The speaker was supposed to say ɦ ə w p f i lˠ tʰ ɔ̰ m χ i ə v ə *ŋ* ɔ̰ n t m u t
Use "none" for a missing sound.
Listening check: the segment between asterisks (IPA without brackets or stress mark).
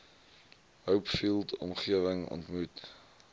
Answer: ŋ